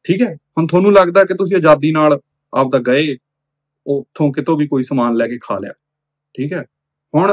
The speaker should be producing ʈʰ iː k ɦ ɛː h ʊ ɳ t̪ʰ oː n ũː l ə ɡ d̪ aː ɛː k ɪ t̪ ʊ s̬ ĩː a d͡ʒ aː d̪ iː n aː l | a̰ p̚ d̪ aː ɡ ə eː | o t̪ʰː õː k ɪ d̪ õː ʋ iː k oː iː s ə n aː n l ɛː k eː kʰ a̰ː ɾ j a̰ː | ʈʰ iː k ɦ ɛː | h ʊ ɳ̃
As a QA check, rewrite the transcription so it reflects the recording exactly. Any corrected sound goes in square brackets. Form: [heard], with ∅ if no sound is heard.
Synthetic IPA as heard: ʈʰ iː k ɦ ɛː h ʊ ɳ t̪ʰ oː n ũː l ə ɡ d̪ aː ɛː k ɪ t̪ ʊ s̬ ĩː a d͡ʒ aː d̪ iː n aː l | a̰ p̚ d̪ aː ɡ ə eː | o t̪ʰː õː k ɪ [t̪] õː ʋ iː k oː iː s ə [m] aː n l ɛː k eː kʰ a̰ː [l] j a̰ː | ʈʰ iː k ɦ ɛː | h ʊ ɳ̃